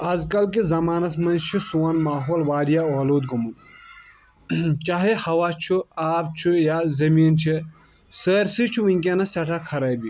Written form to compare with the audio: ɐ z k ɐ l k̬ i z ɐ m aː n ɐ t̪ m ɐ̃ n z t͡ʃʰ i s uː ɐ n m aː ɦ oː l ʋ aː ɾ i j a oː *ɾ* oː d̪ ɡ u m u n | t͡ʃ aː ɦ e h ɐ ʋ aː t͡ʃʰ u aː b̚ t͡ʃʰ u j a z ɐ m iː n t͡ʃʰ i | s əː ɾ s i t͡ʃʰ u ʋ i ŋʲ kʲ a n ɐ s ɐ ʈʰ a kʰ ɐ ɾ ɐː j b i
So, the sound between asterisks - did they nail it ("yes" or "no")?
no